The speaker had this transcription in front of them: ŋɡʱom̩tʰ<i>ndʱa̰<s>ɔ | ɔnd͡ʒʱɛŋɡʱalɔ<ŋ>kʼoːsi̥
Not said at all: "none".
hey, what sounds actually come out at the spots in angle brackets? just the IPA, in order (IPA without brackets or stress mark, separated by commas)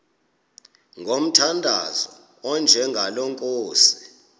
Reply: a, z, ŋ